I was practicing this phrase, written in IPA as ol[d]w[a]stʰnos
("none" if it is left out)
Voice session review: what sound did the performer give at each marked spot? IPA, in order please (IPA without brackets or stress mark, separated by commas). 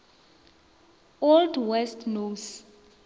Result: d, ɛ